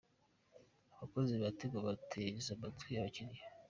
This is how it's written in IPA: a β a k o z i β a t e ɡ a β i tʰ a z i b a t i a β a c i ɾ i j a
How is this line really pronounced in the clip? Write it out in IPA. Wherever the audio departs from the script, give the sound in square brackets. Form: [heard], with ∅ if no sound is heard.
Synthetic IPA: a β a k o z i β a t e ɡ a β [a] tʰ [e] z [a] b a t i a β a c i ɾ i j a